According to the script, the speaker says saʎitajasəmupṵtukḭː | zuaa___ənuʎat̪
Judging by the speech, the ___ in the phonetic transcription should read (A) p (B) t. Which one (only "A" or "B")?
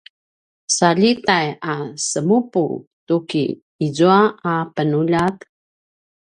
A